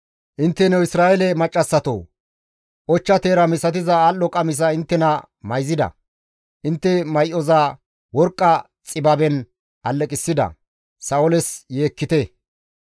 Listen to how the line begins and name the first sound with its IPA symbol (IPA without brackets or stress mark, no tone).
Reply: ʔ